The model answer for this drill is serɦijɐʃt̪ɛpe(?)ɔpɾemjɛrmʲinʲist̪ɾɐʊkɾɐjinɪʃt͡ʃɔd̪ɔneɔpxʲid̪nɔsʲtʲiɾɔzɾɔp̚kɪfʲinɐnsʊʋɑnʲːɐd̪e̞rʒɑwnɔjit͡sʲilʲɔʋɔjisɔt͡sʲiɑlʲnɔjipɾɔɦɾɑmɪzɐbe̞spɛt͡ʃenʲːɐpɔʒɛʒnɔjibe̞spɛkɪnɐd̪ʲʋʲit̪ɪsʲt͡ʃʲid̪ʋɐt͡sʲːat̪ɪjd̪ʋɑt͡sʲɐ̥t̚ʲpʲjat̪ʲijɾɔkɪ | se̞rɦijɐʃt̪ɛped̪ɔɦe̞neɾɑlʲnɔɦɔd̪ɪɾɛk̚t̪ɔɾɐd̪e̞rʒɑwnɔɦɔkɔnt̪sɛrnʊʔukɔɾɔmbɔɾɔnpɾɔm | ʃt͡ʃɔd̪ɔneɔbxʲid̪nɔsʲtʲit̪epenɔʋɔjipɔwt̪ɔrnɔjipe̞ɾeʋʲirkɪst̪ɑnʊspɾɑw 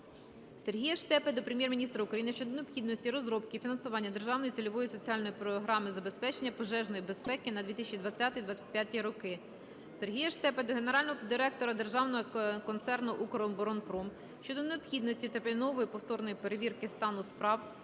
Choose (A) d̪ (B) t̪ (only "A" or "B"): A